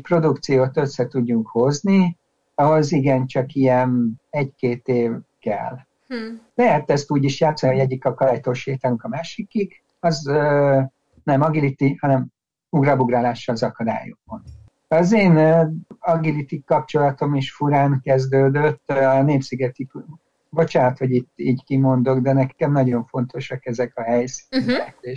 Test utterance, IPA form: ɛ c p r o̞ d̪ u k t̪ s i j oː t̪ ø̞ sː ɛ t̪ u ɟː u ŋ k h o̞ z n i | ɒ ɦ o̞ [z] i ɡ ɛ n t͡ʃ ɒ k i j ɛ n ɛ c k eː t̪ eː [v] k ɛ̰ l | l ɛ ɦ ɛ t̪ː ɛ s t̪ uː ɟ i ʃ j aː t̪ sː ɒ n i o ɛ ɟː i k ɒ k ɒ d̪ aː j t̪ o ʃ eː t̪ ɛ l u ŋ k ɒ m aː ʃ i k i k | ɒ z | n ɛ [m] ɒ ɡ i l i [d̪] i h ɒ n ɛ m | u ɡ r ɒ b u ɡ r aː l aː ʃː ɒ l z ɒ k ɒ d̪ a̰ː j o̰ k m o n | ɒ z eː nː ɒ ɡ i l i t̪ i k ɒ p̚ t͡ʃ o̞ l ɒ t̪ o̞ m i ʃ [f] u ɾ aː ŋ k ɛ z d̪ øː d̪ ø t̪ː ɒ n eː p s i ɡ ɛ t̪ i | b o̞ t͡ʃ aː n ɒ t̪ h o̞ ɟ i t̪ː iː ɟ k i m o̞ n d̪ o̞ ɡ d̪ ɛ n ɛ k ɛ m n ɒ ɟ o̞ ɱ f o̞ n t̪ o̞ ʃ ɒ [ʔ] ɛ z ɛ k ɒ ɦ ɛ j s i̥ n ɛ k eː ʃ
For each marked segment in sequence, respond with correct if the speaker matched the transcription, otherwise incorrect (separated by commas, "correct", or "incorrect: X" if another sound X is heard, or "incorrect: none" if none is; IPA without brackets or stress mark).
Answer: correct, correct, correct, incorrect: t̪, correct, incorrect: k